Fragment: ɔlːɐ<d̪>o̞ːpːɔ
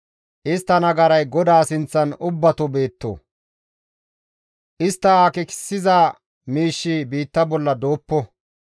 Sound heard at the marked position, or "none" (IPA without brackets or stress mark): d̪